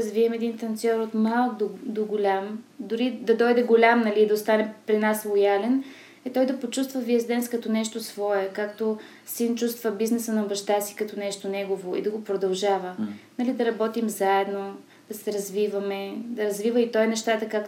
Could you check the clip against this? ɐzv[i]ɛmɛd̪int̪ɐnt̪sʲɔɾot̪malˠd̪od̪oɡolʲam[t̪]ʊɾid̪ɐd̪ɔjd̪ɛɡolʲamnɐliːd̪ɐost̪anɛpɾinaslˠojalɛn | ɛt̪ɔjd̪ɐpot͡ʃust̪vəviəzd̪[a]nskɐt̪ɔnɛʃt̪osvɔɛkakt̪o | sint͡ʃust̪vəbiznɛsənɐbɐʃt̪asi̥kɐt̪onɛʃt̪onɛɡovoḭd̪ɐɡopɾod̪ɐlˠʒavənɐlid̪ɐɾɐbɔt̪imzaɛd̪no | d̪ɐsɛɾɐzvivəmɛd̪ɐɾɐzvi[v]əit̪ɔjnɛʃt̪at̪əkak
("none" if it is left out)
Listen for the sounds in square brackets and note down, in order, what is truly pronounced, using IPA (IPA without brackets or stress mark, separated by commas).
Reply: i, d̪, ɛ, v